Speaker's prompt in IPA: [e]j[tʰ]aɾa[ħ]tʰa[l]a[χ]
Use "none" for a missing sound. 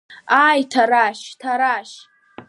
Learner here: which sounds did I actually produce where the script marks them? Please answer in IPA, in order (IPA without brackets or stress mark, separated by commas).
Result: a, tʰ, ʃ, ɾ, ʃ